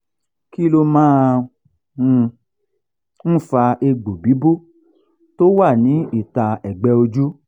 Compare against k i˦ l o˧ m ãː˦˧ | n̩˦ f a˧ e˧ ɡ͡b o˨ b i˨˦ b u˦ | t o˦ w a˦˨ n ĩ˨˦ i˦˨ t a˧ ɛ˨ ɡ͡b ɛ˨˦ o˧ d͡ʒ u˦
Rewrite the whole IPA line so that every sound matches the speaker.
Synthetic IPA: k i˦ l o˧ m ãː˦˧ | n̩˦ f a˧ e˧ ɡ͡b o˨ b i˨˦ b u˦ | t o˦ w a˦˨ n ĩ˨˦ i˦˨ t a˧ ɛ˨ ɡ͡b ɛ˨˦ o˧ d͡ʒ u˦